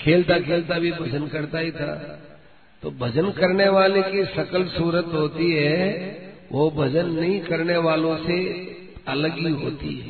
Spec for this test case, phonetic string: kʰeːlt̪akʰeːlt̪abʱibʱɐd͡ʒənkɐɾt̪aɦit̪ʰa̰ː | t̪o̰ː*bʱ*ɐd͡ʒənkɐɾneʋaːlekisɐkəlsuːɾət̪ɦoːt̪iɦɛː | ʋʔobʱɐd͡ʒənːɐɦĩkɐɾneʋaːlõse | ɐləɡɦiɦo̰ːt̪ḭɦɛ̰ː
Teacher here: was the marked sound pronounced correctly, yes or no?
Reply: yes